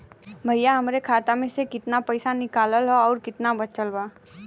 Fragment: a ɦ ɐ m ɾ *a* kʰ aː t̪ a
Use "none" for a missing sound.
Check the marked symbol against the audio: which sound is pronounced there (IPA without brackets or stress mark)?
e